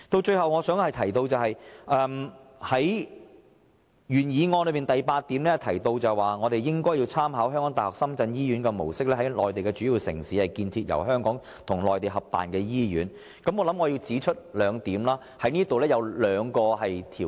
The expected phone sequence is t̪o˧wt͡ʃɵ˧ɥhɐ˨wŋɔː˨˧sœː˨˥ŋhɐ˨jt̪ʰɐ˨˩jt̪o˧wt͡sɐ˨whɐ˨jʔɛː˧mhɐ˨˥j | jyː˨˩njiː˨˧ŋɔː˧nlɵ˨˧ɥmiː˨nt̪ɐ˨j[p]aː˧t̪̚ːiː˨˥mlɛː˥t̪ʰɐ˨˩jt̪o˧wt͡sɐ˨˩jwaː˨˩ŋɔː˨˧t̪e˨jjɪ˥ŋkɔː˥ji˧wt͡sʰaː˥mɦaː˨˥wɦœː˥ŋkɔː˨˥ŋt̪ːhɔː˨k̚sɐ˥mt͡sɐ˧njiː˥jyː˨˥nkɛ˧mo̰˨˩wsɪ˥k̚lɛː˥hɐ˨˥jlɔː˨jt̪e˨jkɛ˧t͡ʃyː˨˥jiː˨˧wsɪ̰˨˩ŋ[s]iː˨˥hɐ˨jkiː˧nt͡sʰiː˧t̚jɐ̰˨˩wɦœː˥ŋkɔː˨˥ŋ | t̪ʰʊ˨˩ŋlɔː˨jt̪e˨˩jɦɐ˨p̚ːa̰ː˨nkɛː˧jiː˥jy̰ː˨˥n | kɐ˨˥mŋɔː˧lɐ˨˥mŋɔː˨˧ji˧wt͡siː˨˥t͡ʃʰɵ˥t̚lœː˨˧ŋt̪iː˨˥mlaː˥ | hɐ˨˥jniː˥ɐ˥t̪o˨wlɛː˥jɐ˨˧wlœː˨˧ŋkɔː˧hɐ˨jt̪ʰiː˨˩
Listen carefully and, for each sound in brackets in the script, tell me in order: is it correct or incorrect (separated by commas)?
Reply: correct, correct